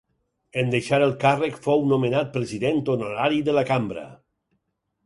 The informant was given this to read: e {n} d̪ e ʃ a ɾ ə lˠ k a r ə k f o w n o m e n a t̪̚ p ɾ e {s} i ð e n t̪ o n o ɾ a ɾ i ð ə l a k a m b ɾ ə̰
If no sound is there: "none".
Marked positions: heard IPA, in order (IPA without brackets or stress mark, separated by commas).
n, z